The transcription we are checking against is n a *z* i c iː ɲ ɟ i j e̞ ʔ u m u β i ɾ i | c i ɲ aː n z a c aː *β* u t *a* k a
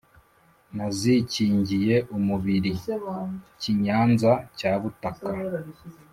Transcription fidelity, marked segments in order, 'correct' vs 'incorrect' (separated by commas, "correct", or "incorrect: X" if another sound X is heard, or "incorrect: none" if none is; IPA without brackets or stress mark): correct, correct, correct